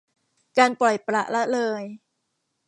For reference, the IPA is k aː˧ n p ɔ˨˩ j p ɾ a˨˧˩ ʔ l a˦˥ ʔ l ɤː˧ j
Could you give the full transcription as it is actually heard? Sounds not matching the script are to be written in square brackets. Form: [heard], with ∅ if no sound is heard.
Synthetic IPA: k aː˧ n p ɔ˨˩ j p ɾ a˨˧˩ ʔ l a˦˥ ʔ l ɤː˧ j

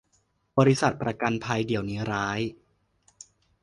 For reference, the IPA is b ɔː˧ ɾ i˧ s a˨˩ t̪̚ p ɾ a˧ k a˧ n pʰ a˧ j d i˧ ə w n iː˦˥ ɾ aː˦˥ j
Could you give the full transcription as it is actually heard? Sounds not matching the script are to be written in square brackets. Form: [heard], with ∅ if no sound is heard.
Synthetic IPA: b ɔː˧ ɾ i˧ s a˨˩ t̪̚ p ɾ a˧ k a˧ n pʰ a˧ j d [i˩˦] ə w n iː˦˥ ɾ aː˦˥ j

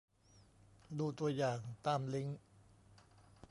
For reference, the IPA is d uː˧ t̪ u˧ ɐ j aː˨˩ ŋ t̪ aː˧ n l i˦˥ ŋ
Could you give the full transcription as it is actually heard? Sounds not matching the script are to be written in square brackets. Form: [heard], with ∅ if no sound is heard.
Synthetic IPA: d uː˧ t̪ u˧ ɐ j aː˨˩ ŋ t̪ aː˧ [m] l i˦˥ ŋ

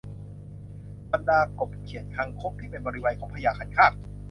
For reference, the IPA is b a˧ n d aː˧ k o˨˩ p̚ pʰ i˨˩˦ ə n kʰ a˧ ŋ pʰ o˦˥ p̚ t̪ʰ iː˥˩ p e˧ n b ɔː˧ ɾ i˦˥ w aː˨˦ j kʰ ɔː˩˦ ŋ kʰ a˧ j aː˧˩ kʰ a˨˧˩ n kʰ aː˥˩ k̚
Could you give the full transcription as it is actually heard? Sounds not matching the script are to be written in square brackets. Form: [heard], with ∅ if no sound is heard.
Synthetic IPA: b a˧ n d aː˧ k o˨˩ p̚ [kʰ] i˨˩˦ ə n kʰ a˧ ŋ [kʰ] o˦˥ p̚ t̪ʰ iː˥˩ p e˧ n b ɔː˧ ɾ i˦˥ w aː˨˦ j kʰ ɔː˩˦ ŋ [pʰ] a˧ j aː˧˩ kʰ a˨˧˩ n kʰ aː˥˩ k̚

